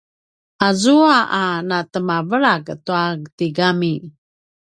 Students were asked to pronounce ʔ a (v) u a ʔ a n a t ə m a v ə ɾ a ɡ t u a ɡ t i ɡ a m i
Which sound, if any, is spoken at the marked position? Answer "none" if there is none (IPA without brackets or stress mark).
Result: z